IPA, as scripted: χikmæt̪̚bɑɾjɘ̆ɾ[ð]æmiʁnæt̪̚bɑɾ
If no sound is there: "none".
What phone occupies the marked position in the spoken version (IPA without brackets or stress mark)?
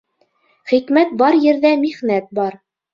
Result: ð